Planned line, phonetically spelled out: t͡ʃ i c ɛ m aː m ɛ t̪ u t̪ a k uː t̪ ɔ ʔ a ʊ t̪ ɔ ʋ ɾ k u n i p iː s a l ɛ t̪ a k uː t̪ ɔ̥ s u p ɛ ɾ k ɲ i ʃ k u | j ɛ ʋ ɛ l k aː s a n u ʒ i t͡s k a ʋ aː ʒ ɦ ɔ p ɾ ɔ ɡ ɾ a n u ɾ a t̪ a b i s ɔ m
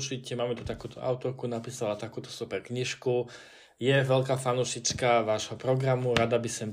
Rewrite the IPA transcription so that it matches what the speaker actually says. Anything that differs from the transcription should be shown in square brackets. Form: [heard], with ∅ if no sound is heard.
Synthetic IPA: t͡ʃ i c ɛ m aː m ɛ t̪ u t̪ a k uː t̪ ɔ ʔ a ʊ t̪ ɔ [∅] ɾ k u n [a] p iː s a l [a] t̪ a k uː t̪ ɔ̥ s u p ɛ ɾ k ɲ i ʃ k u | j ɛ ʋ ɛ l k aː [f] a n u [ʃ] i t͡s k a ʋ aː ʒ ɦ ɔ p ɾ ɔ ɡ ɾ a [m] u ɾ a [d̪] a b i s ɔ m